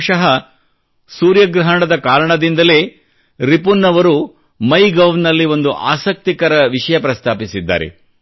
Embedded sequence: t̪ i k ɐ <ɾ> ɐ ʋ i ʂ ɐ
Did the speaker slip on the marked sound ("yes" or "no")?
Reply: no